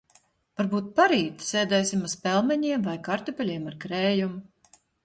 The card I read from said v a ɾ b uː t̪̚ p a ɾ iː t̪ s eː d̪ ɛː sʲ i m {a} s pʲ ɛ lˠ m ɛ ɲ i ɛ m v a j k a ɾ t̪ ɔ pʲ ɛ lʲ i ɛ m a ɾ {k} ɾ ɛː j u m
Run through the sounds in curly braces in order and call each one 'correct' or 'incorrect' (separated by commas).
correct, correct